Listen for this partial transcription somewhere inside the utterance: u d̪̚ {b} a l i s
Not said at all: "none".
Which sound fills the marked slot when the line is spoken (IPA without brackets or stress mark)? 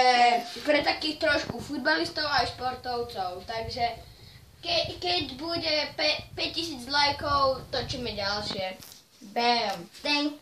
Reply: b